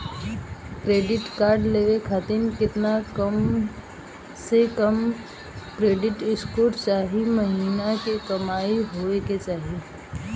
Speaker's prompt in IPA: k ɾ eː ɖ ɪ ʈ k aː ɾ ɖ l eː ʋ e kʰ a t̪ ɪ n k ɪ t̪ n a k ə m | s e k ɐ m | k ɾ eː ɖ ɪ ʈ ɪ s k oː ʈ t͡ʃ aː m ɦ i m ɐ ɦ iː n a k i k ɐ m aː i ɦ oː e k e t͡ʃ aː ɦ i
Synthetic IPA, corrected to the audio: k ɾ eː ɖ ɪ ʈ k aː ɾ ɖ l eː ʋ e kʰ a t̪ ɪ n k ɪ t̪ n a k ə m | s e k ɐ m | k ɾ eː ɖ ɪ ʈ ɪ s k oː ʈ t͡ʃ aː ɦ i m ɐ ɦ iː n a k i k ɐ m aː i ɦ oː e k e t͡ʃ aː ɦ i

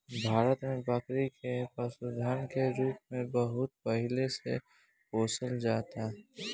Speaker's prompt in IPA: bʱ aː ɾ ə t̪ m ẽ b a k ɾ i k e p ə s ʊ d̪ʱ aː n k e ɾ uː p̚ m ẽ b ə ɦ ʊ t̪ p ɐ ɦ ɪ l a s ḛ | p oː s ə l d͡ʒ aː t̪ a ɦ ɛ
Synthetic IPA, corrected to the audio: bʱ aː ɾ ə t̪ m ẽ b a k ɾ i k e p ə s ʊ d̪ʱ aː n k e ɾ uː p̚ m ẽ b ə ɦ ʊ t̪ p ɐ ɦ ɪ l e s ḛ | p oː s ə l d͡ʒ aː t̪ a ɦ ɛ

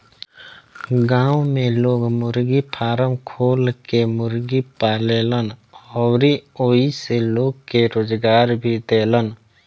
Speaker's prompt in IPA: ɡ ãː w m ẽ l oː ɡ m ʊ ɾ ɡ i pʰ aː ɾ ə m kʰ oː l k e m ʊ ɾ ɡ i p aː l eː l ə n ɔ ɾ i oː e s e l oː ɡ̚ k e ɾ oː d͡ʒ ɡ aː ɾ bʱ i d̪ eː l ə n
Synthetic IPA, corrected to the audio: ɡ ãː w m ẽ l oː ɡ m ʊ ɾ ɡ i pʰ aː ɾ ə m kʰ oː l k e m ʊ ɾ ɡ i p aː l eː l ə n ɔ ɾ i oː i s e l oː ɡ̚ k e ɾ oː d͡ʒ ɡ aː ɾ bʱ i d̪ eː l ə n

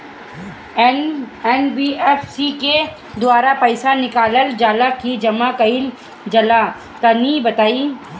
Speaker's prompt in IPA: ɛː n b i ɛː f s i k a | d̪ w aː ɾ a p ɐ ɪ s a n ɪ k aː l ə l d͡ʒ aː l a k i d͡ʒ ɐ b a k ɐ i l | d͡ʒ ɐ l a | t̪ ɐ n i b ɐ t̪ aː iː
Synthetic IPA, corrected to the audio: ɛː n b i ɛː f s i k e | d̪ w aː ɾ a p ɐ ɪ s a n ɪ k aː l ə l d͡ʒ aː l a k i d͡ʒ ɐ m a k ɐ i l | d͡ʒ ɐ l a | t̪ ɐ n i b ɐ t̪ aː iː

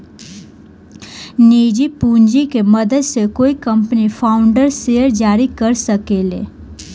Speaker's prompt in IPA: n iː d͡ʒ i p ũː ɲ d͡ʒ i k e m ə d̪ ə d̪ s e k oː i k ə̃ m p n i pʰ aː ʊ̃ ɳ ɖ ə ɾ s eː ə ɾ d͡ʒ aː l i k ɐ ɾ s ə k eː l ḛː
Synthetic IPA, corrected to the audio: n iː d͡ʒ i p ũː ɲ d͡ʒ i k e m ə d̪ ə d̪ s e k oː i k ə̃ m p n i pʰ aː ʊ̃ ɳ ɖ ə ɾ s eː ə ɾ d͡ʒ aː ɾ i k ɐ ɾ s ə k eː l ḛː

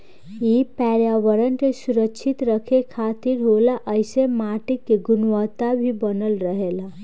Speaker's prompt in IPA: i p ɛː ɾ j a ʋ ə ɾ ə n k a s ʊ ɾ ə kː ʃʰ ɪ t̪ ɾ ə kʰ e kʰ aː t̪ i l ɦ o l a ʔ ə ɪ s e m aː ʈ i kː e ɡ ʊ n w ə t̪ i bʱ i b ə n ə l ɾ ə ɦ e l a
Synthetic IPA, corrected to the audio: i p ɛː ɾ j a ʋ ə ɾ ə n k e s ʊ ɾ ə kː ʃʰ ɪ t̪ ɾ ə kʰ e kʰ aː t̪ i ɾ ɦ o l a ʔ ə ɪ s e m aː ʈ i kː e ɡ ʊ n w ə t̪ a bʱ i b ə n ə l ɾ ə ɦ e l a

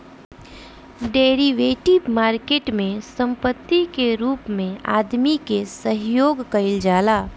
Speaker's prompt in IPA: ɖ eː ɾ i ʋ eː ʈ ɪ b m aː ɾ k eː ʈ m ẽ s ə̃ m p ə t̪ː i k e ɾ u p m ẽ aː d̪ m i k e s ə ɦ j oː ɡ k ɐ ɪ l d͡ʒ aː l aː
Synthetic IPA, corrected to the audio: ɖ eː ɾ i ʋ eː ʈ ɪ b m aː ɾ k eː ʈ m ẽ s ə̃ m p ə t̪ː i k e ɾ uː p m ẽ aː d̪ m i k e s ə ɦ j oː ɡ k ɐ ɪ l d͡ʒ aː l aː

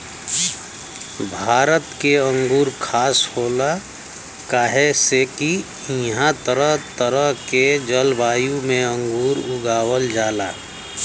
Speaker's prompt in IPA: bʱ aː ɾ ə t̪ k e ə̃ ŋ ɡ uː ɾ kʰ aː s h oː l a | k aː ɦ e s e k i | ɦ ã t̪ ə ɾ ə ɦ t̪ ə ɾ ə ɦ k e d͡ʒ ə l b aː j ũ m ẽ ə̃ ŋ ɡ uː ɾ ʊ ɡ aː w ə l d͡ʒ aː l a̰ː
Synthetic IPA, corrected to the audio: bʱ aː ɾ ə t̪ k e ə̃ ŋ ɡ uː ɾ kʰ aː s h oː l a | k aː ɦ e s e k i | ɦ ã t̪ ə ɾ ə ɦ t̪ ə ɾ ə ɦ k e d͡ʒ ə l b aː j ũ m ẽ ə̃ ŋ ɡ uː ɾ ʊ ɡ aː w ə l d͡ʒ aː l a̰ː

